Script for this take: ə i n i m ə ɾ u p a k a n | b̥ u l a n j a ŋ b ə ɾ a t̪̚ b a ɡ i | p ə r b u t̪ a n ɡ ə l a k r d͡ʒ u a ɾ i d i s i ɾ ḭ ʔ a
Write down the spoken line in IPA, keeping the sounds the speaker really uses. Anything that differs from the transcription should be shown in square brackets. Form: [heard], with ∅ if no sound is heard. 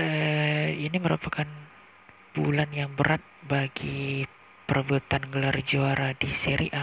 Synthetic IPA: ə i n i m ə ɾ u p a k a n | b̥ u l a n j a ŋ b ə ɾ a t̪̚ b a ɡ i | p ə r b u t̪ a n ɡ ə l a [∅] r d͡ʒ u a ɾ [a] d i s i ɾ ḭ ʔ a